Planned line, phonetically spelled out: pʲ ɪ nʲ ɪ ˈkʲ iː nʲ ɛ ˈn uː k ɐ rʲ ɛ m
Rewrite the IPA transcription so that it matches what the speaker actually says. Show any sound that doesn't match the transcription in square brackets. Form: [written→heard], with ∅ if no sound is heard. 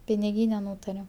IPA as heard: pʲ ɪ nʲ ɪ [ˈkʲ→ˈɡʲ] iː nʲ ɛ ˈn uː [k→t] ɐ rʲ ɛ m